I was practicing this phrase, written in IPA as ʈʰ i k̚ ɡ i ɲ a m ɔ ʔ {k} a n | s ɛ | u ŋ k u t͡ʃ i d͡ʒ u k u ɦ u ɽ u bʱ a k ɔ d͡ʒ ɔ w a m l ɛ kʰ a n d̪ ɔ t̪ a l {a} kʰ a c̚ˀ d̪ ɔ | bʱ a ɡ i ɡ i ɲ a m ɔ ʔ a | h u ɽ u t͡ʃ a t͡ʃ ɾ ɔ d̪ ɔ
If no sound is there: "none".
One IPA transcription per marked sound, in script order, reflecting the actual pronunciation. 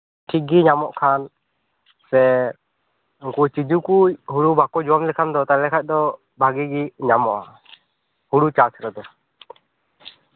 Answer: kʰ, ɛ

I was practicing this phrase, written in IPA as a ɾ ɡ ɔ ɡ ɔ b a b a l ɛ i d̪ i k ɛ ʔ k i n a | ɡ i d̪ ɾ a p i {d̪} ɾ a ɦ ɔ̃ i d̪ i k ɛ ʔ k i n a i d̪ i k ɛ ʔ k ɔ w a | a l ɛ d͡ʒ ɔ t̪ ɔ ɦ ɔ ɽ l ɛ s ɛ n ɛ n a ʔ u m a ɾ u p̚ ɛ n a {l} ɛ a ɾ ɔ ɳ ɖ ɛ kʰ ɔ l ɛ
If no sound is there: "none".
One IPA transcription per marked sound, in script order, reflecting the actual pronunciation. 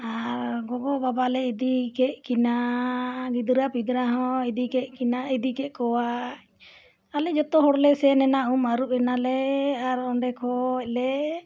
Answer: d̪, l

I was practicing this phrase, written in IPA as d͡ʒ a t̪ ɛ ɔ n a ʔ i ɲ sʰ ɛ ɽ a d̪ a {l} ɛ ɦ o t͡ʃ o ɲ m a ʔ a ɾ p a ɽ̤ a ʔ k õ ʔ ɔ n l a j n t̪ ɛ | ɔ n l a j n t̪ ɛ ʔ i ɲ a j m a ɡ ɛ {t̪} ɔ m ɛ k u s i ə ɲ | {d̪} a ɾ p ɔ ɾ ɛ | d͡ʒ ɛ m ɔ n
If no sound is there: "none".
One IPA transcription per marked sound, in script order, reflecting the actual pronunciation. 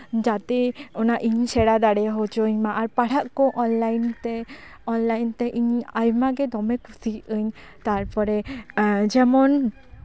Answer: ɽ, d̪, t̪

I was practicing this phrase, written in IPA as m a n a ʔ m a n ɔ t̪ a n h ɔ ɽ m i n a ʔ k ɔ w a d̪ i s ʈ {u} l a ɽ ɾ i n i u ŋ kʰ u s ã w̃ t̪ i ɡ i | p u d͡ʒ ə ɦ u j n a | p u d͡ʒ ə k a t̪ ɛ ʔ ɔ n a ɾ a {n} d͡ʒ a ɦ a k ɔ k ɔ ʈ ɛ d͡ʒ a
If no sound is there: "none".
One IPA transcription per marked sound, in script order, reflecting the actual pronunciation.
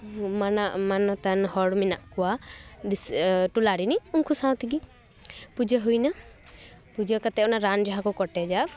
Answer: u, n

